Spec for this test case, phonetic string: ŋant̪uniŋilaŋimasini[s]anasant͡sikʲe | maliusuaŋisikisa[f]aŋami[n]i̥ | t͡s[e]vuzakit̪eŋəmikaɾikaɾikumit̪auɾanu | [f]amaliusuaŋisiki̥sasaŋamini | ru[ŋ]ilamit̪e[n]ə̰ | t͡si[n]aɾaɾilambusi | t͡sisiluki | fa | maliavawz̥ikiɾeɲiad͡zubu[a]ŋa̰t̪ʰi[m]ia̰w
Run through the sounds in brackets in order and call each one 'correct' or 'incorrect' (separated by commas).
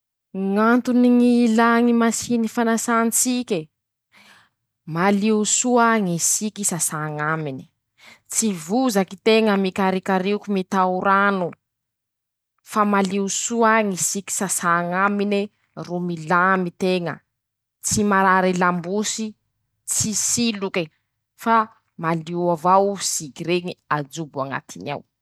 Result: incorrect, incorrect, correct, incorrect, correct, incorrect, incorrect, incorrect, correct, incorrect